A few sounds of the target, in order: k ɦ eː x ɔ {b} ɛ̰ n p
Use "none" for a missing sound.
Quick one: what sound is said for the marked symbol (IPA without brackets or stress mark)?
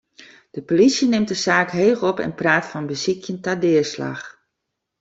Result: p